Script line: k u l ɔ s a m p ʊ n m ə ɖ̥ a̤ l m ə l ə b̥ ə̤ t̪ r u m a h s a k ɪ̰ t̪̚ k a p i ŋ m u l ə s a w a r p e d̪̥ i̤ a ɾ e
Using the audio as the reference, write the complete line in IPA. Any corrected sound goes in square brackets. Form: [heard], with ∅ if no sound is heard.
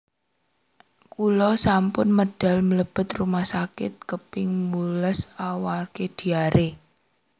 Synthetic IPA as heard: k u l ɔ s a m p ʊ n m ə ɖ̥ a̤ l m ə l ə b̥ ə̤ t̪ r u m a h s a k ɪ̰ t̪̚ k [ə] p [ɪ] ŋ m u l ə s a w a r [k] e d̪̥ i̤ a ɾ e